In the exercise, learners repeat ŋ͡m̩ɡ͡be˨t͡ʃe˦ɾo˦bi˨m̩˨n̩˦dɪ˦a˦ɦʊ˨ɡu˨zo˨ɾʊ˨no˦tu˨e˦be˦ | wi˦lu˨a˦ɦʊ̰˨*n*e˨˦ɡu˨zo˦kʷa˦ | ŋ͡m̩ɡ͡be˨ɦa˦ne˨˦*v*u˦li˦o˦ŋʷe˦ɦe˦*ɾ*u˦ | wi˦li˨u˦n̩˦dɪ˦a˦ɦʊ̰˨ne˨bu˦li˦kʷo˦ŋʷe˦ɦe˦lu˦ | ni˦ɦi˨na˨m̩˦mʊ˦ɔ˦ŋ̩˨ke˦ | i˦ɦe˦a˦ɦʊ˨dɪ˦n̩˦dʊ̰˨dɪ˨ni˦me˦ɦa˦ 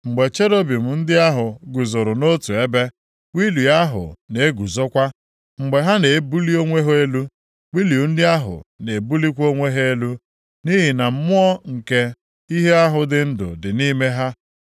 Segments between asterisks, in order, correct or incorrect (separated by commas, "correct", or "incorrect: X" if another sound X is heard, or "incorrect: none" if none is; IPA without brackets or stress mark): correct, incorrect: b, incorrect: l